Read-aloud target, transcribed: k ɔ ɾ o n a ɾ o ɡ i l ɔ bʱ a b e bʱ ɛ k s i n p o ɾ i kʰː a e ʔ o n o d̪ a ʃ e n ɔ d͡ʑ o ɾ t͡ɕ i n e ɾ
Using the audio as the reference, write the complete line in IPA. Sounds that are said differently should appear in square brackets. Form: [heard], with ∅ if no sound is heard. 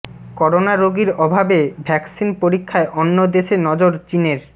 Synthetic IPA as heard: k ɔ ɾ o n a ɾ o ɡ i [ɾ] ɔ bʱ a b e bʱ ɛ k s i n p o ɾ i kʰː a e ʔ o [nː] o d̪ [e] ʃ e n ɔ d͡ʑ o ɾ t͡ɕ i n e ɾ